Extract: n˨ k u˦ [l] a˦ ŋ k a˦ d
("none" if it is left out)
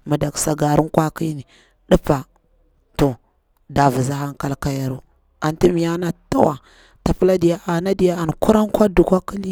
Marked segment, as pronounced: ɾ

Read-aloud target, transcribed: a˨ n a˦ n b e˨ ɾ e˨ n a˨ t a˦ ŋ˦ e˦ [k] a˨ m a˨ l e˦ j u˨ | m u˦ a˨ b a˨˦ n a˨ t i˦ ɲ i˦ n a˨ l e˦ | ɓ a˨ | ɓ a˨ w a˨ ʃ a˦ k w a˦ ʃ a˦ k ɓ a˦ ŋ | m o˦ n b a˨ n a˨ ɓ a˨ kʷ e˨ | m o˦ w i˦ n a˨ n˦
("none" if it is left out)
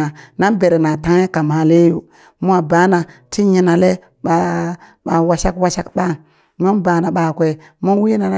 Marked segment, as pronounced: k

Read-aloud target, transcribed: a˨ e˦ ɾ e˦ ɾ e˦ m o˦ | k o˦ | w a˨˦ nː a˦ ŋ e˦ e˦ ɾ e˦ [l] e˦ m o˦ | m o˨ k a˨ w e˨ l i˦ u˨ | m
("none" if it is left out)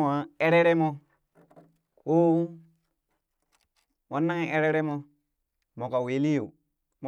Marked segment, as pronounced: ɾ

